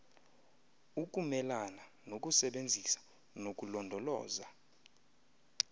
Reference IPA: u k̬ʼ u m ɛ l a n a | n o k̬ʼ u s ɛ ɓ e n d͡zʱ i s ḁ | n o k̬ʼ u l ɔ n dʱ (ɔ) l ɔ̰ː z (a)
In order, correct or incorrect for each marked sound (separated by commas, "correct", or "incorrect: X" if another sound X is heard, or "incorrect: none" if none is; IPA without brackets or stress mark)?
correct, correct